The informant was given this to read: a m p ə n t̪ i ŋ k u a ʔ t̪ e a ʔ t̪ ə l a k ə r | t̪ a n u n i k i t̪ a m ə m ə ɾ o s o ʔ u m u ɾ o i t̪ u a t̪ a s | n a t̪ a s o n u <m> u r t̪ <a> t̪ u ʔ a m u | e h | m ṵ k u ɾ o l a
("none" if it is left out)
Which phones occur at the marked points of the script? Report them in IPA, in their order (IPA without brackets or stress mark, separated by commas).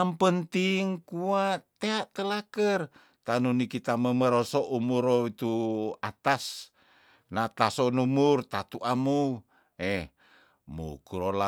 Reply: m, a